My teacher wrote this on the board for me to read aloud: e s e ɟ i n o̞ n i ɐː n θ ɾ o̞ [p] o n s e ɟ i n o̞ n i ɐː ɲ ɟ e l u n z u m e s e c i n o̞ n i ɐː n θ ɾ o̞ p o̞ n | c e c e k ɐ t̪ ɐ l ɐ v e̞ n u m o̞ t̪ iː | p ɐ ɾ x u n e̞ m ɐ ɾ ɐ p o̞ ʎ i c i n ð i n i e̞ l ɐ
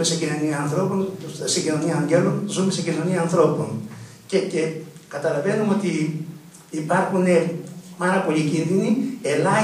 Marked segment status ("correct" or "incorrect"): correct